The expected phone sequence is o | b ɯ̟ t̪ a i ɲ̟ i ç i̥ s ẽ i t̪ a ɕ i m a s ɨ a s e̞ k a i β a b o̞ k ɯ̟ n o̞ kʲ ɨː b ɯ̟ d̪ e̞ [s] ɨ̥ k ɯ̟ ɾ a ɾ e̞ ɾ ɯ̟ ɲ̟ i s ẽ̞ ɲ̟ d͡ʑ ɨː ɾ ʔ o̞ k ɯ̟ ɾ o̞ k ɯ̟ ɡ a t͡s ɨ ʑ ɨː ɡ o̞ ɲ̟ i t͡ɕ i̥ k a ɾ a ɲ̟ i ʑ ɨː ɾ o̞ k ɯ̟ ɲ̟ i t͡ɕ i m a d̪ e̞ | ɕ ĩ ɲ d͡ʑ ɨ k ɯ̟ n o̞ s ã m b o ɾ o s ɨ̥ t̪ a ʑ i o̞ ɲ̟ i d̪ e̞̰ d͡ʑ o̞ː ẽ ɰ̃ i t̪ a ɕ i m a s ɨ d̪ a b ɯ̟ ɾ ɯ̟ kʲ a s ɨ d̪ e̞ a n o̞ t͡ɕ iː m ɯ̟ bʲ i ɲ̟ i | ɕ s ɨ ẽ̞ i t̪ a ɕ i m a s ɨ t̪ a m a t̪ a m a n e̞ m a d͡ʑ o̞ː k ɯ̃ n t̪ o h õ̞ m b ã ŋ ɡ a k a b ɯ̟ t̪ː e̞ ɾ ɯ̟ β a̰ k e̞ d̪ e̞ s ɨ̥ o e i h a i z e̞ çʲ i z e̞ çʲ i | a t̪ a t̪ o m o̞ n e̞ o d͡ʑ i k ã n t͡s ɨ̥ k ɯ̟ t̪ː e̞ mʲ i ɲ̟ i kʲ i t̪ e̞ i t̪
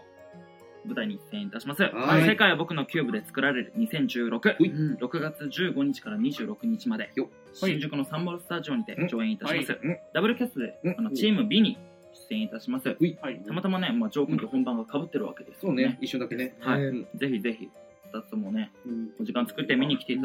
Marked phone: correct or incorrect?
incorrect